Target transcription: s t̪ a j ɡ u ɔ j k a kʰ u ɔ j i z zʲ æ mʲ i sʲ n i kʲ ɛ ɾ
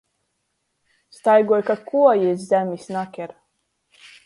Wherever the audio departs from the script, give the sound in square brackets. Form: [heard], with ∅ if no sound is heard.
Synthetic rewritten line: s t̪ a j ɡ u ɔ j k a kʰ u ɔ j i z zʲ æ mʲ i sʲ n [a] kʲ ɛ ɾ